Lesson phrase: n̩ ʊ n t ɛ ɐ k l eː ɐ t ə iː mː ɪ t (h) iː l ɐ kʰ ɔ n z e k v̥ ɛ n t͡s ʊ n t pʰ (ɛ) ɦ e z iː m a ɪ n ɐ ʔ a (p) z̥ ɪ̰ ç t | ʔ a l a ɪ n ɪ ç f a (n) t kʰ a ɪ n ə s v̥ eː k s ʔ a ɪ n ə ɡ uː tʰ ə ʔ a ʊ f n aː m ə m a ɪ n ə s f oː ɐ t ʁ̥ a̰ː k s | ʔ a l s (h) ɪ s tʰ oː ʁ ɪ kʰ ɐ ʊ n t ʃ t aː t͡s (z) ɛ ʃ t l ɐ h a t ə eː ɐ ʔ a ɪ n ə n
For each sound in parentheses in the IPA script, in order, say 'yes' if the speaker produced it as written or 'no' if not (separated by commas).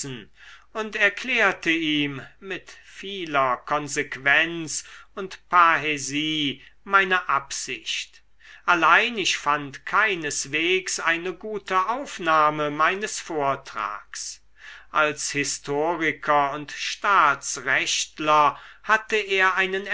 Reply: no, no, yes, yes, yes, no